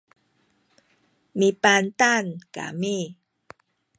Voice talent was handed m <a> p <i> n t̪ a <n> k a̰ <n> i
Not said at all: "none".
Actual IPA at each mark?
i, a, n, m

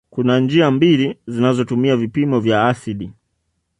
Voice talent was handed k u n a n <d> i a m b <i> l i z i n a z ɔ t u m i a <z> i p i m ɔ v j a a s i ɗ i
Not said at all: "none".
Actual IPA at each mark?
d͡ʒ, i, v

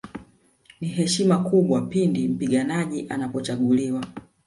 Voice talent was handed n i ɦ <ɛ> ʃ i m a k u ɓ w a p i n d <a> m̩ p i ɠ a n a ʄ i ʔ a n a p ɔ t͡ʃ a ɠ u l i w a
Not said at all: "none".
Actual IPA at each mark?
ɛ, i

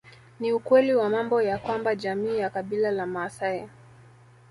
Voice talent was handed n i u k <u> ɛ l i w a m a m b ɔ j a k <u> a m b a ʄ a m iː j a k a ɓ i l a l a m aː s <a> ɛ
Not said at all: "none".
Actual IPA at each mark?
w, w, a

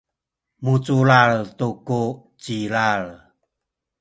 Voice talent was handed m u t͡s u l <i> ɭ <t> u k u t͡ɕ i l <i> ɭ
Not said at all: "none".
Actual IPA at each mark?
a, t, a

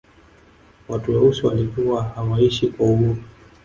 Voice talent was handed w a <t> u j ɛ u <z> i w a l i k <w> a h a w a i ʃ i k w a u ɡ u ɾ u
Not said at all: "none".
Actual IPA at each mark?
t, s, u

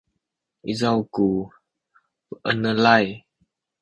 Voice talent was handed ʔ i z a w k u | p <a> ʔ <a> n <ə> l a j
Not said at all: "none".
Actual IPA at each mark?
ə, ə, ə

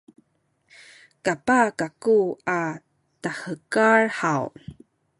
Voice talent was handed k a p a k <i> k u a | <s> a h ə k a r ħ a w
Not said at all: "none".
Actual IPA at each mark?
a, t

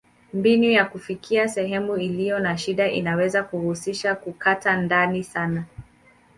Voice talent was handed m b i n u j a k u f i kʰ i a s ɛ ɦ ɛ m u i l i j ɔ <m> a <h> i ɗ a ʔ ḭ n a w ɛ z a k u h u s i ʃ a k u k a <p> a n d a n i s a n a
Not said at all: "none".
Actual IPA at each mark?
n, ʃ, t

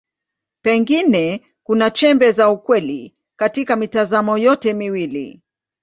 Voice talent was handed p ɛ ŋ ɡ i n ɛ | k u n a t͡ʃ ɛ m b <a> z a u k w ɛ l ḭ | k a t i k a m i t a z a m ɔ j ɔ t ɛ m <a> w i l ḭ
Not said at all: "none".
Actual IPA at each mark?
ɛ, i

